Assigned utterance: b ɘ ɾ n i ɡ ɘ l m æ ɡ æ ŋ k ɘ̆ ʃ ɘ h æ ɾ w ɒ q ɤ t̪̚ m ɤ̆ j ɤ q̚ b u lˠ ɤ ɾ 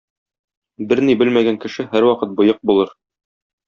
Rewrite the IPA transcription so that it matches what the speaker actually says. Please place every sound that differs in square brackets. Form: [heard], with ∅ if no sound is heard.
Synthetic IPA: b ɘ ɾ n i [b] ɘ l m æ ɡ æ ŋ k ɘ̆ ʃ ɘ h æ ɾ w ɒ q ɤ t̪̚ [b] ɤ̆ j ɤ q̚ b u lˠ ɤ ɾ